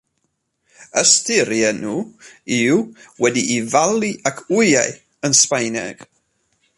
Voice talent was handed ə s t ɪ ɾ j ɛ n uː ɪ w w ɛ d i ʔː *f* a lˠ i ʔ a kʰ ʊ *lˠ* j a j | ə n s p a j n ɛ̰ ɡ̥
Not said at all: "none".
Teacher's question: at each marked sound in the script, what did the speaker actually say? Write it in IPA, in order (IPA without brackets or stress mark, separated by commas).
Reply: v, none